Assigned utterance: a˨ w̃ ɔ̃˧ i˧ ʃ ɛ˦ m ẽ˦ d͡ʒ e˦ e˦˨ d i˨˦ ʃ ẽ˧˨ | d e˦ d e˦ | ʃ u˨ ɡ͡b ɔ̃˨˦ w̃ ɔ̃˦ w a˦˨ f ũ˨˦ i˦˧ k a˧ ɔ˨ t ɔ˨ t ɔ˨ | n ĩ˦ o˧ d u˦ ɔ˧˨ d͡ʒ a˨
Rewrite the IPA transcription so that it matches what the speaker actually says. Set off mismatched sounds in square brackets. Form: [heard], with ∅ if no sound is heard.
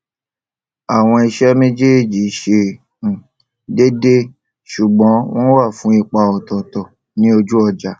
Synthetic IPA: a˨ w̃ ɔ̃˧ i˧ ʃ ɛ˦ m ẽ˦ d͡ʒ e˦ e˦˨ [d͡ʒ] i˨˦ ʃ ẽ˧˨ | d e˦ d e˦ | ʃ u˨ ɡ͡b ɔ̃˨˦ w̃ ɔ̃˦ w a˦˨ f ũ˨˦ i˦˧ [k͡p] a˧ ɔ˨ t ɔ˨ t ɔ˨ | n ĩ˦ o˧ [d͡ʒ] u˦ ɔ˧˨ d͡ʒ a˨